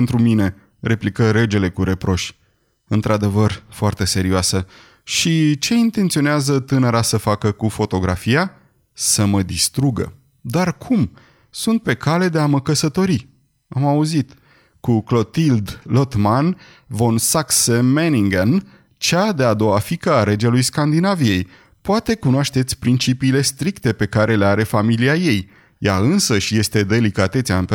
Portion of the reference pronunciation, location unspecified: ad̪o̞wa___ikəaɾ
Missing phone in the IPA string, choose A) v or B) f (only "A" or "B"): B